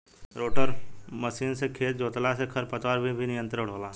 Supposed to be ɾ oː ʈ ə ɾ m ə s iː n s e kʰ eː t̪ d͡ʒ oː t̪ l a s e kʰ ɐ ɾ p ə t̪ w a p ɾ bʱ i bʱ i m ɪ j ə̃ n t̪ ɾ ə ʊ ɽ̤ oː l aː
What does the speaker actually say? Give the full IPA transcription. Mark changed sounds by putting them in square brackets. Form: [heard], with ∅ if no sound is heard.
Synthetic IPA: ɾ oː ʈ ə ɾ m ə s iː n s e kʰ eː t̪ d͡ʒ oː t̪ l a s e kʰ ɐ ɾ p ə t̪ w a [∅] ɾ bʱ i bʱ i [n] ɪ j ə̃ n t̪ ɾ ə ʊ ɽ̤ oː l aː